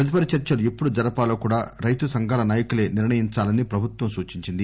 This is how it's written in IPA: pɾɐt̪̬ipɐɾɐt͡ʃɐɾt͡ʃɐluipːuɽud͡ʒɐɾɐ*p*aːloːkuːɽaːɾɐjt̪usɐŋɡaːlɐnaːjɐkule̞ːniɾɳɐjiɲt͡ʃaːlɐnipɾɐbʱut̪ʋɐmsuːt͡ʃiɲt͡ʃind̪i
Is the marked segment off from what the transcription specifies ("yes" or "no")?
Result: no